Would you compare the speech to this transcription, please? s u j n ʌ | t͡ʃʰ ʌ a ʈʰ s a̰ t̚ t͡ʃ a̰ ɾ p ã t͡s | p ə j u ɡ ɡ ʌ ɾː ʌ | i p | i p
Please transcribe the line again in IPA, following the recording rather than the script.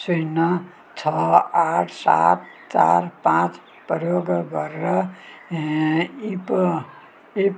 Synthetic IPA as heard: s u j n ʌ | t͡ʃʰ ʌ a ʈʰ s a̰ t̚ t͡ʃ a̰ ɾ p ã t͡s | p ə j o ɡ ɡ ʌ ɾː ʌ | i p | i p